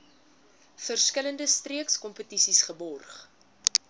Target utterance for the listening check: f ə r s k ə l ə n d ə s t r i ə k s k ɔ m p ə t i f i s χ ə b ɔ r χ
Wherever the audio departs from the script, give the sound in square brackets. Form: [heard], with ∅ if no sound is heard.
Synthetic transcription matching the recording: f ə r s k ə l ə n d ə s t r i ə k s k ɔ m p ə t i [s] i s χ ə b ɔ r χ